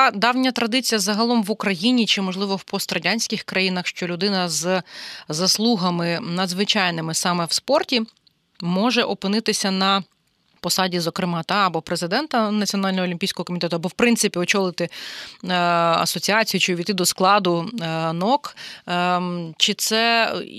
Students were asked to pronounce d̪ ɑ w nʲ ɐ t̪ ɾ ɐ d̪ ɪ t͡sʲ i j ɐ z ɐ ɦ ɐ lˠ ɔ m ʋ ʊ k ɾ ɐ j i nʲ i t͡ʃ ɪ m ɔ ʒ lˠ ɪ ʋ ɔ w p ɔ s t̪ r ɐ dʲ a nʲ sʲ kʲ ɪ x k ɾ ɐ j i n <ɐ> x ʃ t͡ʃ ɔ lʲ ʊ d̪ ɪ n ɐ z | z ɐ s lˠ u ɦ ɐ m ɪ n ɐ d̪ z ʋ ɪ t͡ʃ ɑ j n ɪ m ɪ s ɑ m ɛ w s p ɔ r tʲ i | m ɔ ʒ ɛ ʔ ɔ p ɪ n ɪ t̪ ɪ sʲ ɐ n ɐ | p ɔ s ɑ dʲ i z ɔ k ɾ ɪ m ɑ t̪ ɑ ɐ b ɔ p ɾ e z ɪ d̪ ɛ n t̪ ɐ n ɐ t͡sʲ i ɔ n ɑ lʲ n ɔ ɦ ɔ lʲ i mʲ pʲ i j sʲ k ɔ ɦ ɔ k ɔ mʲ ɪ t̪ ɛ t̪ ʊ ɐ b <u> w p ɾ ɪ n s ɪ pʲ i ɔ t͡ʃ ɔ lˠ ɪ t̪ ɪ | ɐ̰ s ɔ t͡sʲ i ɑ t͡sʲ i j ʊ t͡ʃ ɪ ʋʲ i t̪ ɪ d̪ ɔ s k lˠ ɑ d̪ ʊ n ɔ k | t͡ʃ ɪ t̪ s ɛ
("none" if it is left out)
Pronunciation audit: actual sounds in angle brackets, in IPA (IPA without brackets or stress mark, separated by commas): ɐ, ɔ